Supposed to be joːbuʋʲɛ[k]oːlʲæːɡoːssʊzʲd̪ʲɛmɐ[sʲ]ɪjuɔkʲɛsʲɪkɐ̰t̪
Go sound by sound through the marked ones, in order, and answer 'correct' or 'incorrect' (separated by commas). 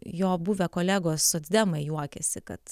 correct, incorrect